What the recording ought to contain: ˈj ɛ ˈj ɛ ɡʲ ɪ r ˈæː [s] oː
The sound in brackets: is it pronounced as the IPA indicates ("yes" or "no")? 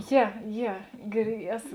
yes